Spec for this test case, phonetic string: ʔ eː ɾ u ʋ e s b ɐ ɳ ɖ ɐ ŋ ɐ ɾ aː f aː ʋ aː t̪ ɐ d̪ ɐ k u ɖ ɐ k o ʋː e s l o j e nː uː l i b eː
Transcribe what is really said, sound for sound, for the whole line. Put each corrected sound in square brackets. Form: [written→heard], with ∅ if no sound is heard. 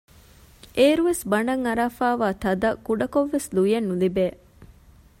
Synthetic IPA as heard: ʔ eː ɾ u ʋ e s b ɐ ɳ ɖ ɐ ŋ ɐ ɾ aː f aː ʋ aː t̪ ɐ d̪ ɐ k u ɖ ɐ k o ʋː e s l [o→u] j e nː [uː→u] l i b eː